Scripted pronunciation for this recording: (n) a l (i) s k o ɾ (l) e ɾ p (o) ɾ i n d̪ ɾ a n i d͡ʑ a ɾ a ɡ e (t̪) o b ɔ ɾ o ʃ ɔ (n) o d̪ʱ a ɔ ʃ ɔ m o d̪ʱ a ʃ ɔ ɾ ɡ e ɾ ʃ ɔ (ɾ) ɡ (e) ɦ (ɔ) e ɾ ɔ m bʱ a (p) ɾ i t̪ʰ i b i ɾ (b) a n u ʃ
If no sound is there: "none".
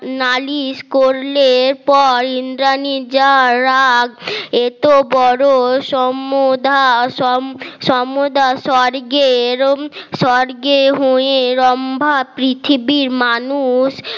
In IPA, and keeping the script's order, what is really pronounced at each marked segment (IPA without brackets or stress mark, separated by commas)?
n, i, l, ɔ, t̪, m, ɾ, e, o, p, m